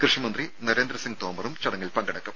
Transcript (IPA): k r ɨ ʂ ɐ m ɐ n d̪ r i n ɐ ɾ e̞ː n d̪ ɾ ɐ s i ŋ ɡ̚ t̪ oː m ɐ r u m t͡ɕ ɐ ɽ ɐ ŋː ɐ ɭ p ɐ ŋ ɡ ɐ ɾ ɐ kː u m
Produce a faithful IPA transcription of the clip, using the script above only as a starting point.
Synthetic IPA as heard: k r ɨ ʂ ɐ m ɐ n d̪ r i n ɐ ɾ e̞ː n d̪ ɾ ɐ s i ŋ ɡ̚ t̪ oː m ɐ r u m t͡ɕ ɐ ɽ ɐ ŋː ɐ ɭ p ɐ ŋ ɡ ɐ ɽ ɐ kː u m